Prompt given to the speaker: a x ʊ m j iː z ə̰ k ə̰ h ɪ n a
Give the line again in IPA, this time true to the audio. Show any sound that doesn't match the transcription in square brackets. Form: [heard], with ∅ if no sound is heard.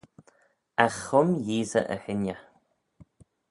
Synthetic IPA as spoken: a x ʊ m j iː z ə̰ [ʔ] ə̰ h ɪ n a